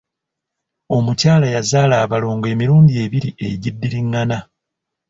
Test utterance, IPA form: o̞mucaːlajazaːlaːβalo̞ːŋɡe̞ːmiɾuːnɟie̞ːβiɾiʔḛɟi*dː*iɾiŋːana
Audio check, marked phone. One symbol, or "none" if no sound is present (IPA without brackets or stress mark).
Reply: dː